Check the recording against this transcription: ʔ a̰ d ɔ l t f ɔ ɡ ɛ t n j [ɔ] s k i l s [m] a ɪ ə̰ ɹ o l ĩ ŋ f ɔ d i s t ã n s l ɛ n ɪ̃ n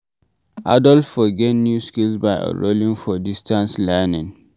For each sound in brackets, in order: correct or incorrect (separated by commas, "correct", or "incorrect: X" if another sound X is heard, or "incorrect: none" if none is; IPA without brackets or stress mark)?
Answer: incorrect: u, incorrect: b